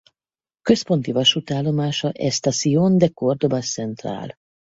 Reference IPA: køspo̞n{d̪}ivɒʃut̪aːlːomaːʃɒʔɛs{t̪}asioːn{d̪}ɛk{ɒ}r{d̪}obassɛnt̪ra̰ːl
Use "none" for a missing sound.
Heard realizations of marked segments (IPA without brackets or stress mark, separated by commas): t̪, t̪, d̪, o, d̪